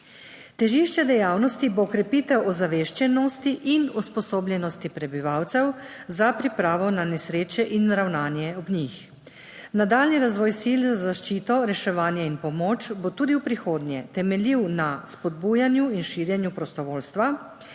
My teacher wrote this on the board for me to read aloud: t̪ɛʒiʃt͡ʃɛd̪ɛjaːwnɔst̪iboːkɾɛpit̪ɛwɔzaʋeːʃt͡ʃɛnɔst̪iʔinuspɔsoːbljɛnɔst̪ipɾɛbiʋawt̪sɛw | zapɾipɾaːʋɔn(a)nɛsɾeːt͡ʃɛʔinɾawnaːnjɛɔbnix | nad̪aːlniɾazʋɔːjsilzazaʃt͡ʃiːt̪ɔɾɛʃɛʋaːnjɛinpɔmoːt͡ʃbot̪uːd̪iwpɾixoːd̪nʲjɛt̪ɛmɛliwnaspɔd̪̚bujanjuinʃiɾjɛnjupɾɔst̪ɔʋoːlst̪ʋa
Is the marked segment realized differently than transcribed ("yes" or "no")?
no